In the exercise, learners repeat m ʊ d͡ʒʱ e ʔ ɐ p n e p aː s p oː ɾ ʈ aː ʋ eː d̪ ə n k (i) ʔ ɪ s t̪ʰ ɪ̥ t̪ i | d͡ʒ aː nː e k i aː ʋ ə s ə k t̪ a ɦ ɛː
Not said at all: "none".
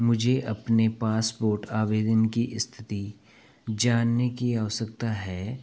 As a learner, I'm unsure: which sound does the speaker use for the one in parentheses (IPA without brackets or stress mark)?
i